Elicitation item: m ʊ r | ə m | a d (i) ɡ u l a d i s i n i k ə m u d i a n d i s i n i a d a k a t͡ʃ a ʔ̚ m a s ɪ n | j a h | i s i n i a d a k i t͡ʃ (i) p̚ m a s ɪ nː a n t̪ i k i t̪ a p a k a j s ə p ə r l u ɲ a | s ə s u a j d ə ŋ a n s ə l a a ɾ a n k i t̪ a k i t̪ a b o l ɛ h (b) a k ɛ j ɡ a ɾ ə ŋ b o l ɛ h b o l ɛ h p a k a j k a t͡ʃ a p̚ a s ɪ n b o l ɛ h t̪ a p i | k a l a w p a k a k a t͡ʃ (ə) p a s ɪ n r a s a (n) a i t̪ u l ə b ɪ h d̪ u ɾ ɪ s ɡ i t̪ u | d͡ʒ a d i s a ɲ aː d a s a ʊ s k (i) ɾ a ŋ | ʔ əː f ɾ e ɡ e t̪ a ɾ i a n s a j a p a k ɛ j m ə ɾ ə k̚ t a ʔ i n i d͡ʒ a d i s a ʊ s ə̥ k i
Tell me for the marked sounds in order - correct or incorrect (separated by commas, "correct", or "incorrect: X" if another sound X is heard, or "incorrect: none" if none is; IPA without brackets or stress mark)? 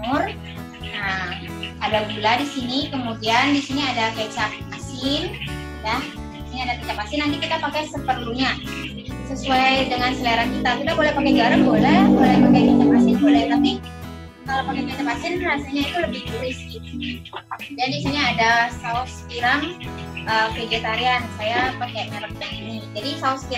incorrect: a, incorrect: a, incorrect: p, incorrect: a, incorrect: ɲ, correct